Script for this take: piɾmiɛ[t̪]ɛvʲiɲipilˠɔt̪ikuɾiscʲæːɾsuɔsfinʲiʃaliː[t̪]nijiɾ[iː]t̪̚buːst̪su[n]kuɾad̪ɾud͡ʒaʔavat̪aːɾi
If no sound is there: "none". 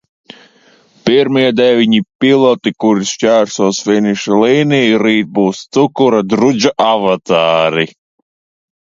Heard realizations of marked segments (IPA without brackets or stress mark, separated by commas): d̪, none, iː, none